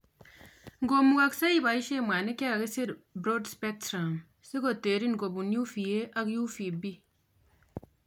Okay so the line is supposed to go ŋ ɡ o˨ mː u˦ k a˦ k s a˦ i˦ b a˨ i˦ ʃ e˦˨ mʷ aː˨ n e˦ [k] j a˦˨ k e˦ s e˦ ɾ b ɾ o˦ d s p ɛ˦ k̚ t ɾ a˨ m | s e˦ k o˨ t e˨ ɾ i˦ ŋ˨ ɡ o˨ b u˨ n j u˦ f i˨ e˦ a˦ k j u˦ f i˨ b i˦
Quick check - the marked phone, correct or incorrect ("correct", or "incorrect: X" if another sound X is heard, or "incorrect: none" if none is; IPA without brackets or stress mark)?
correct